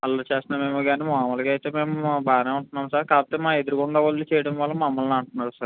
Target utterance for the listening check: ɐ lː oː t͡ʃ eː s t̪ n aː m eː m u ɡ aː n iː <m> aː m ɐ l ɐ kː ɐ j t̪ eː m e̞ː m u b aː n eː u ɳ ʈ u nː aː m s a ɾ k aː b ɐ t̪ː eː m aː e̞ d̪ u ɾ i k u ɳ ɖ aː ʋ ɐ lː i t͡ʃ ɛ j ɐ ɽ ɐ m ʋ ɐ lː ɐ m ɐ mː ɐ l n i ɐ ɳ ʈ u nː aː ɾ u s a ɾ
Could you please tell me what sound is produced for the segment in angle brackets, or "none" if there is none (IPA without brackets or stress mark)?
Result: m